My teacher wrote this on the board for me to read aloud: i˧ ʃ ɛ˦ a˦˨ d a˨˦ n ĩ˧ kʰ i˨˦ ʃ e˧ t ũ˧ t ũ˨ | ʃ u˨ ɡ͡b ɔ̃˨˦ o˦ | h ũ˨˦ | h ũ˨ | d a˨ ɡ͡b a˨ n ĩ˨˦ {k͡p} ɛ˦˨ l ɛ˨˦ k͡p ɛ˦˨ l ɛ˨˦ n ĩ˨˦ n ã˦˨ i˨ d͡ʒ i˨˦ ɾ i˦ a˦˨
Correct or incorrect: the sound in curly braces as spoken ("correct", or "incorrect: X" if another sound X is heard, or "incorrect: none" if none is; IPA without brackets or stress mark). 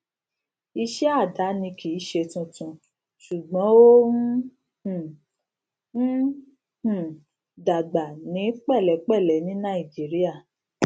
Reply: correct